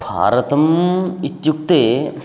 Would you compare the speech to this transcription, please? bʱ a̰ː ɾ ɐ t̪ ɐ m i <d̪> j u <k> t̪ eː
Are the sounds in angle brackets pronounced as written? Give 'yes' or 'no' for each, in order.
no, yes

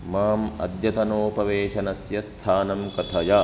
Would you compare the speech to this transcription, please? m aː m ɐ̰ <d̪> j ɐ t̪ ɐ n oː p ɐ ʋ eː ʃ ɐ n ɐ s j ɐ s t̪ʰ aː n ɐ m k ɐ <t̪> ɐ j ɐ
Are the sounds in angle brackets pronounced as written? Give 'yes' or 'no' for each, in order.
yes, no

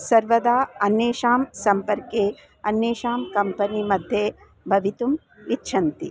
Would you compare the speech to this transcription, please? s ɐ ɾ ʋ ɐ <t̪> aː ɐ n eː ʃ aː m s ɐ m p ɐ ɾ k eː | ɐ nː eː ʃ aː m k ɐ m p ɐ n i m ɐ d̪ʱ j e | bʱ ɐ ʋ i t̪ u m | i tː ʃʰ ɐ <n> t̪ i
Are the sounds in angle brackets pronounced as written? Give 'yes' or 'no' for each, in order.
no, yes

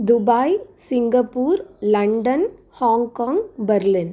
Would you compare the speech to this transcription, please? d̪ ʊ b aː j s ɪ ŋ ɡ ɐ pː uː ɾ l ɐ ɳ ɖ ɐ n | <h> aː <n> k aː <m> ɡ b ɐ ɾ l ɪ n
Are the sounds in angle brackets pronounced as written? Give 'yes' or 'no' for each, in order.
yes, no, no

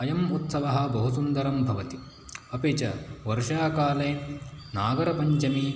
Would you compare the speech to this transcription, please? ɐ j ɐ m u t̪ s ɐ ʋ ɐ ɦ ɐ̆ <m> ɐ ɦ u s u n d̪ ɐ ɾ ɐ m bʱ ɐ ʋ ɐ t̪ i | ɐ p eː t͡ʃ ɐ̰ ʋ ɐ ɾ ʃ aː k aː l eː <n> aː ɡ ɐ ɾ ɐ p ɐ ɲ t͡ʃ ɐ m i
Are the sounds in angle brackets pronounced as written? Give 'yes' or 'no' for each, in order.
no, yes

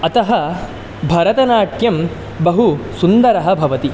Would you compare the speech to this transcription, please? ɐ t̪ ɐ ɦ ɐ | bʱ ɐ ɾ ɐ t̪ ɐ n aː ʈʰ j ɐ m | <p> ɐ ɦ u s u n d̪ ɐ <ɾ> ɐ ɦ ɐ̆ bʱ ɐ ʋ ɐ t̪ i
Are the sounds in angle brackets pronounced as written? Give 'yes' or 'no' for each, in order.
no, yes

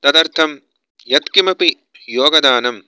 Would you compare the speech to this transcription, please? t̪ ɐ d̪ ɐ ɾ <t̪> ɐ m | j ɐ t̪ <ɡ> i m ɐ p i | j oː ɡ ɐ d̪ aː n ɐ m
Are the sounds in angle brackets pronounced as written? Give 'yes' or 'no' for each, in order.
no, no

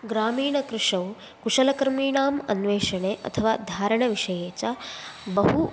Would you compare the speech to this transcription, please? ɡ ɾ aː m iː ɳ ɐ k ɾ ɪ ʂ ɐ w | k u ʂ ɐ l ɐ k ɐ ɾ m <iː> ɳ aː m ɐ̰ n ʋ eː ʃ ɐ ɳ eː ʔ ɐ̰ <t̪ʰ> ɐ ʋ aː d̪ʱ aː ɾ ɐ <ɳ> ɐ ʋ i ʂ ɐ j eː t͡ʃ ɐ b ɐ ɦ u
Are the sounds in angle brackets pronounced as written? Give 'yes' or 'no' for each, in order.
yes, yes, yes

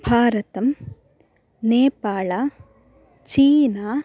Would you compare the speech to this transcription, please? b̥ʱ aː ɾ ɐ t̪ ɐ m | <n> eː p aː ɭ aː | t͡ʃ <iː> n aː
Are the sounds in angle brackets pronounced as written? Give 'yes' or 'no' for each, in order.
yes, yes

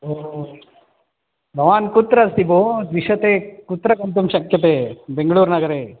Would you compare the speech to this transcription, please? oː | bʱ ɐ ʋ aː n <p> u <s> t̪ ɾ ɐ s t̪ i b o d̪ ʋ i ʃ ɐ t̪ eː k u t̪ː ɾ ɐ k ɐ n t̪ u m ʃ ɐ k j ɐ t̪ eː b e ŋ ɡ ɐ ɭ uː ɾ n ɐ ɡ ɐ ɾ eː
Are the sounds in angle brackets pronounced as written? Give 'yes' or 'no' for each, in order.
no, no

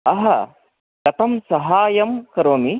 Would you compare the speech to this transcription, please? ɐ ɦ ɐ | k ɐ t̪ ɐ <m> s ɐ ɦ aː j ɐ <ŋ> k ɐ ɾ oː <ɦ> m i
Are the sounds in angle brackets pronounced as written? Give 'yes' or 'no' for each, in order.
yes, no, no

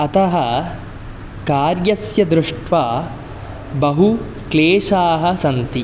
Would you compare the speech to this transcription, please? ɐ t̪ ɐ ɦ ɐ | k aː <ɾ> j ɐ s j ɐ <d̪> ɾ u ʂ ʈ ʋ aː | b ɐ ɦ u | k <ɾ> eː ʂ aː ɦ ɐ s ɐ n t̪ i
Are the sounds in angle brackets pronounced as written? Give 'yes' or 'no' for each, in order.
yes, yes, no

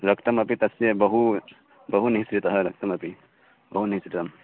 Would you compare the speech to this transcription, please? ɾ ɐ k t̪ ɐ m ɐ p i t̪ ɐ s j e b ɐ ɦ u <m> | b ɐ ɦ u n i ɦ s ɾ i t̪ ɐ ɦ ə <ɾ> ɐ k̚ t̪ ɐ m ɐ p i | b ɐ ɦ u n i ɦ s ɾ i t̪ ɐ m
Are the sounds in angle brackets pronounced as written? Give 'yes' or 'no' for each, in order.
no, yes

